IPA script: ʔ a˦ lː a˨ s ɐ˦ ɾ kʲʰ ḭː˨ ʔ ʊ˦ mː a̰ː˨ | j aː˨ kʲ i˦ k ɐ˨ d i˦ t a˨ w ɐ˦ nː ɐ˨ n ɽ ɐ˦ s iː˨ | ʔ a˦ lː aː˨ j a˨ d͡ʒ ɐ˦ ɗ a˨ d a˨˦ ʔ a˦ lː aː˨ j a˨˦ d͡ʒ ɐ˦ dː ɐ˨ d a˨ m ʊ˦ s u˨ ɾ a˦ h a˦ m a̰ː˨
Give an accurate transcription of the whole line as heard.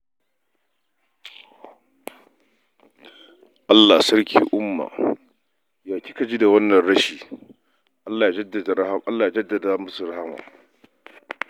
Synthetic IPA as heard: ʔ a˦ lː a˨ s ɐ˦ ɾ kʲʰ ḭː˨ ʔ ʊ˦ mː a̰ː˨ | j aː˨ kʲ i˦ k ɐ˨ d͡ʒ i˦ d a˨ w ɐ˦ nː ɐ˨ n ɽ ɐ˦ ʃ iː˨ | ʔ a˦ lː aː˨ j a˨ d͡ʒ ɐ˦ d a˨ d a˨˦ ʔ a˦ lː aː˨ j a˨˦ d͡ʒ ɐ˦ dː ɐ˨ d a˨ m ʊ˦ s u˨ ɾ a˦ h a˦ m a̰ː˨